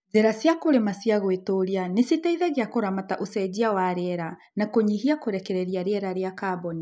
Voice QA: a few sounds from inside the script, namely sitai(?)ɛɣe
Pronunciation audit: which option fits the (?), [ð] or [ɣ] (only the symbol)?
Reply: ð